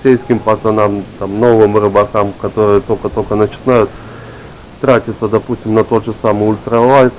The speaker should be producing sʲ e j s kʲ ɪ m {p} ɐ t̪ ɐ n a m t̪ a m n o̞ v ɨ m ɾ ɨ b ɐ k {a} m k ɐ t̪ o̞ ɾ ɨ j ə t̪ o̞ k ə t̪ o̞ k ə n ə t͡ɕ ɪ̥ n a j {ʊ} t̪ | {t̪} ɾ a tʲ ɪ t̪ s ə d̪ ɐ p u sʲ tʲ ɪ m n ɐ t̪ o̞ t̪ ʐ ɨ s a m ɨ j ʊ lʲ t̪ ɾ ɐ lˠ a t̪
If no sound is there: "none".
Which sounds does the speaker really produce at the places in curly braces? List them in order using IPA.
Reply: p, a, ʊ, t̪

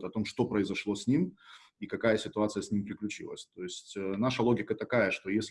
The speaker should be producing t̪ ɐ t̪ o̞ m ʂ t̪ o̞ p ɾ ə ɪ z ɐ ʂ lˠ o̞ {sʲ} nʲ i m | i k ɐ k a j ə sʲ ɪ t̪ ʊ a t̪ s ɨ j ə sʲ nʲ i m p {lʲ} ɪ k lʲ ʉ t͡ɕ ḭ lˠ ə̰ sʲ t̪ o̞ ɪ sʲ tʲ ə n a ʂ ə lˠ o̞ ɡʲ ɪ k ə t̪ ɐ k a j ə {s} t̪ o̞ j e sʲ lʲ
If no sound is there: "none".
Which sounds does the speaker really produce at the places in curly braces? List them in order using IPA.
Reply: sʲ, ɾʲ, ʂ

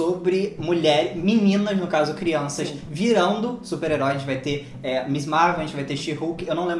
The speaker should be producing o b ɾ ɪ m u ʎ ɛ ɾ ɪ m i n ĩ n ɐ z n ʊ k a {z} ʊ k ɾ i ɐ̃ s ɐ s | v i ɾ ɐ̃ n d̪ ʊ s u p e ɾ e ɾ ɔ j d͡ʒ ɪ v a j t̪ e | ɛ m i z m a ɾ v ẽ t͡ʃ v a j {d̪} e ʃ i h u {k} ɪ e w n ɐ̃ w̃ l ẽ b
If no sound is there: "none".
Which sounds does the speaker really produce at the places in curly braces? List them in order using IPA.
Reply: z, t̪, k

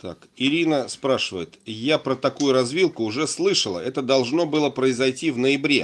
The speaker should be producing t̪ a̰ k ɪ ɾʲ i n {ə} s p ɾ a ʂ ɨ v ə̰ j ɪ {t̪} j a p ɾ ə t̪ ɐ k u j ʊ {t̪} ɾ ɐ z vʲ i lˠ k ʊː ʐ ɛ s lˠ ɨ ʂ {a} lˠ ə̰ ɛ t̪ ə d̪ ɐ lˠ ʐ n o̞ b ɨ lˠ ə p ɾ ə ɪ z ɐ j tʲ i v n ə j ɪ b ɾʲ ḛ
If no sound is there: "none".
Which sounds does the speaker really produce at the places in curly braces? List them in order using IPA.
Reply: ə, t̪, none, ə

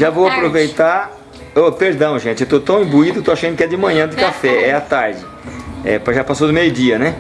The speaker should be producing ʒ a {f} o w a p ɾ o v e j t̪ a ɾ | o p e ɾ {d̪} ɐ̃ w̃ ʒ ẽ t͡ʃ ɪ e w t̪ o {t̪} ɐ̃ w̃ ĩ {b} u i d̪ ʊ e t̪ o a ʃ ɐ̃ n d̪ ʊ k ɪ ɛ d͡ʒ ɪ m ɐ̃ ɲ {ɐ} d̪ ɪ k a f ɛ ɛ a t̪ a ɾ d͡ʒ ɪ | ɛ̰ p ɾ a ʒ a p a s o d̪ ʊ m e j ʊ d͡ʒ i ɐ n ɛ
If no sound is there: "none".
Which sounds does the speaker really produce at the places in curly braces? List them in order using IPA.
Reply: v, d̪, t̪, b, ɐ̃

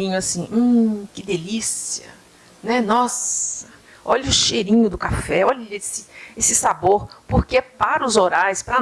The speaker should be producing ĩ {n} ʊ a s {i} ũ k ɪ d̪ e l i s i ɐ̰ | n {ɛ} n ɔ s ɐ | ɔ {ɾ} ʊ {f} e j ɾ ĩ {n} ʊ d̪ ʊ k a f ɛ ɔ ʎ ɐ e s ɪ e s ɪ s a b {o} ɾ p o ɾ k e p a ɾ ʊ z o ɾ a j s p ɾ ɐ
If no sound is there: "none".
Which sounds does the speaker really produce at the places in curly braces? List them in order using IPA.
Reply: ɲ, ĩ, ɛ, ʎ, ʃ, ɲ, o

